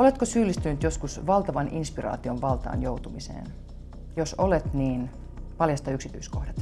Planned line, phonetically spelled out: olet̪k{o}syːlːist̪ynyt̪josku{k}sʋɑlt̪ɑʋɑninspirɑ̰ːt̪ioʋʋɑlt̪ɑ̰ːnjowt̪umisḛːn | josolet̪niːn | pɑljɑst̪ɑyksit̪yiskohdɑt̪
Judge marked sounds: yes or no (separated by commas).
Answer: yes, no